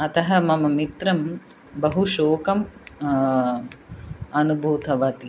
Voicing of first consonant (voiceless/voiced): voiceless